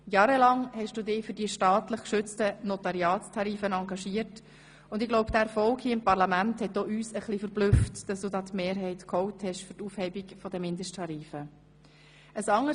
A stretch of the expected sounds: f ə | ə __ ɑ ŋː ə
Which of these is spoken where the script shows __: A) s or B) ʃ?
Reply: A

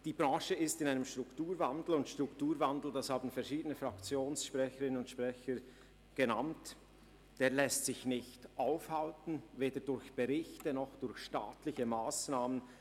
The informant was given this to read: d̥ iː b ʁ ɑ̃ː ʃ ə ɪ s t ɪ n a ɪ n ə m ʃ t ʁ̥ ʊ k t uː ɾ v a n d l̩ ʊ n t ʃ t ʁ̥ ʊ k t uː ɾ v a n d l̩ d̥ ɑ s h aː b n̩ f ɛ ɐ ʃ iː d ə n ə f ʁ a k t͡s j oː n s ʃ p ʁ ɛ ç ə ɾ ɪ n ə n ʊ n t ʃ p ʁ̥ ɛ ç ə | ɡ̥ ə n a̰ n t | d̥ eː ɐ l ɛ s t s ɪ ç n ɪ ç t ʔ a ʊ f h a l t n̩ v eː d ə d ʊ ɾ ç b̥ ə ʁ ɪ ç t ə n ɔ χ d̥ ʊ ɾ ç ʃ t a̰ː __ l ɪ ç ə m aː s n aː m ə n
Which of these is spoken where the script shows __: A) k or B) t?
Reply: B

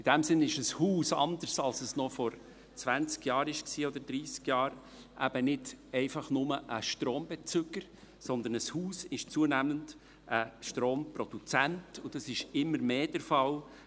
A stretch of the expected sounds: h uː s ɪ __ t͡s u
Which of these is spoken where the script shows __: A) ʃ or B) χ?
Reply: A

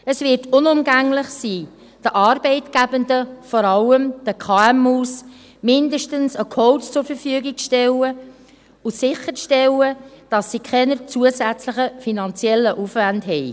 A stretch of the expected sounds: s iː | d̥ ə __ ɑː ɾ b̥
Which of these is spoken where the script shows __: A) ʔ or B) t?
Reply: A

